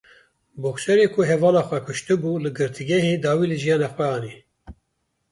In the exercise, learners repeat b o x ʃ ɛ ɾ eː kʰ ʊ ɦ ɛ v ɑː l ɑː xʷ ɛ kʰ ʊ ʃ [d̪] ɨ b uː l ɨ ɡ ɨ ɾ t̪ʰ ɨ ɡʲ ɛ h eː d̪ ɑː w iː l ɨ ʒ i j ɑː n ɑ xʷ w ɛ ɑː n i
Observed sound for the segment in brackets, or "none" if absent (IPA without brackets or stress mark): t̪